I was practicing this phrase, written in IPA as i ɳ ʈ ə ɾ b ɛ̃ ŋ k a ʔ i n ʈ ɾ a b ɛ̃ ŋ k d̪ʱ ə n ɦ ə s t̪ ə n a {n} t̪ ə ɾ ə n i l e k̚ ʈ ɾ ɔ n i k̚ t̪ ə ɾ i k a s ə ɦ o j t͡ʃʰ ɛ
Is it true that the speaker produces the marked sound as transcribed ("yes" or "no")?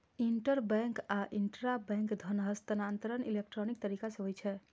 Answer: yes